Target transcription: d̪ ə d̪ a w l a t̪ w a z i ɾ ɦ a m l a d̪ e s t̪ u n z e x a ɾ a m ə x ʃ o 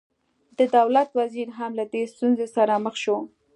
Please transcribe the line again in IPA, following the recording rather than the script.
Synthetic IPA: d̪ ə d̪ a w l a t̪ w a z i ɾ ɦ a m l a d̪ e s t̪ u n z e s a ɾ a m ə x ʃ o